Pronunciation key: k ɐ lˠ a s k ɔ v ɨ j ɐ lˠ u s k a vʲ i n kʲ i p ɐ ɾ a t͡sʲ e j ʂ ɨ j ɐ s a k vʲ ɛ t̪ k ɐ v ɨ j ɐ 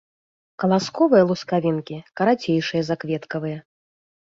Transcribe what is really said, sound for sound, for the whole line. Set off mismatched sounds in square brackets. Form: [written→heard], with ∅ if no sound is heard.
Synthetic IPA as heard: k ɐ lˠ a s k ɔ v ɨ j ɐ lˠ u s k a vʲ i n kʲ i [p→k] ɐ ɾ a t͡sʲ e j ʂ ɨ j ɐ [s→z] a k vʲ ɛ t̪ k ɐ v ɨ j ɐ